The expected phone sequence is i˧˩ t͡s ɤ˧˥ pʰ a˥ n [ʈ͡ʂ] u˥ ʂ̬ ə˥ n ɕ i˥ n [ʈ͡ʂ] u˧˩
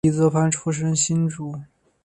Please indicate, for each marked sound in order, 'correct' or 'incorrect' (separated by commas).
incorrect, correct